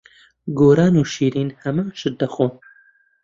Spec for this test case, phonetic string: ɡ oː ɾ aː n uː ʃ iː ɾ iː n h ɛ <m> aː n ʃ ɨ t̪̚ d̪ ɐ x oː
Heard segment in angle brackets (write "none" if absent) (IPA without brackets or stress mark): m